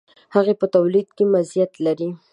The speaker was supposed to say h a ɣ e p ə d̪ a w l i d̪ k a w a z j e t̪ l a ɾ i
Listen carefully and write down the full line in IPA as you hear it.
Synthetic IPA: h a ɣ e p ə t̪ a w l i d̪ k e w a z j a t̪ l a ɾ i